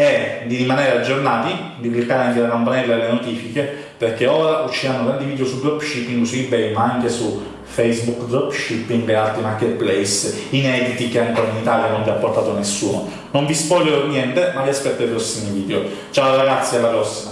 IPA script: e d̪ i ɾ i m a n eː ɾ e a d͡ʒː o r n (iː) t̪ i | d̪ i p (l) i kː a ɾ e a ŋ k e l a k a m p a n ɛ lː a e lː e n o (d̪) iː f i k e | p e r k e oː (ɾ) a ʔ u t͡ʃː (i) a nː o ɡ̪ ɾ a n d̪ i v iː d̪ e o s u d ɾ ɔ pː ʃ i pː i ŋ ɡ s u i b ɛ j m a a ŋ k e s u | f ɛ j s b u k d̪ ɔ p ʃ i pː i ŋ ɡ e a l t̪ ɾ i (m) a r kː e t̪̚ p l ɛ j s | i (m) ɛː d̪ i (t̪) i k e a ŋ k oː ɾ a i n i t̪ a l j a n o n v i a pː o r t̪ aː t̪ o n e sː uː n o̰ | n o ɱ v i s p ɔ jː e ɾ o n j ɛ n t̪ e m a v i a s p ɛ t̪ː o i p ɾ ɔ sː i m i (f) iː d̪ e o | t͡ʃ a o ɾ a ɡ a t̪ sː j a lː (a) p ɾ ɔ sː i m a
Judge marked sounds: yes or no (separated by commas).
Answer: no, yes, no, yes, yes, yes, no, yes, no, yes